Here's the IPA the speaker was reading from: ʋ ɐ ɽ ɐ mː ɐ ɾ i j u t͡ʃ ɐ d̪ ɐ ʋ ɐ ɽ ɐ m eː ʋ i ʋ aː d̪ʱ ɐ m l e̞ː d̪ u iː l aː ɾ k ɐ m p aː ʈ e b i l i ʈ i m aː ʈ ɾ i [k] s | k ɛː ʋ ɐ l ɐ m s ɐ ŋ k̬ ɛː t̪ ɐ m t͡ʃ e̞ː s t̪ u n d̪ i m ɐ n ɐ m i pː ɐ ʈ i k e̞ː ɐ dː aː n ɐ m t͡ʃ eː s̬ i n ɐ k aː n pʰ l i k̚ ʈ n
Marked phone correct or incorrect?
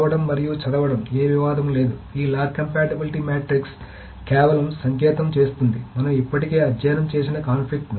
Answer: correct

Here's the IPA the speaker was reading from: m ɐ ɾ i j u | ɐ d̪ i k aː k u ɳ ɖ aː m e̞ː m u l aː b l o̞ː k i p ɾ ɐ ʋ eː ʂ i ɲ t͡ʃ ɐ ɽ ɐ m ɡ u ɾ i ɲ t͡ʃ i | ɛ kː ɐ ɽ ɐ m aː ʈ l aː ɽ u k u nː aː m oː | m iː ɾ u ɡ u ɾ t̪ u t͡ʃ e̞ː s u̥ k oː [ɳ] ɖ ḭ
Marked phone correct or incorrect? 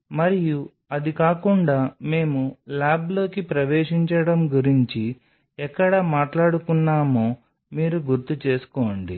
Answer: correct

